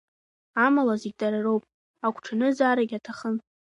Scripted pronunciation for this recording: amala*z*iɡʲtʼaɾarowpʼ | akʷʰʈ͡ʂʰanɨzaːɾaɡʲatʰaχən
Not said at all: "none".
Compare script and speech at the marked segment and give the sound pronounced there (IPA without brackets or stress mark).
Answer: z